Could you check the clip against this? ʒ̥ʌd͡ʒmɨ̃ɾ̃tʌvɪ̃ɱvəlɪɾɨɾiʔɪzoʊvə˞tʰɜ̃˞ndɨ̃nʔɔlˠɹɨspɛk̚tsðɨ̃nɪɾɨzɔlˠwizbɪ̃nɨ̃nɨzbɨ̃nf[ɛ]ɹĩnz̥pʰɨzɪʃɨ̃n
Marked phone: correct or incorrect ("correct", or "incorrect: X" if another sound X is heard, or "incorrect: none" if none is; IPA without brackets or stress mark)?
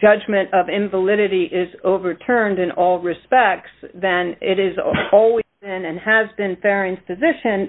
correct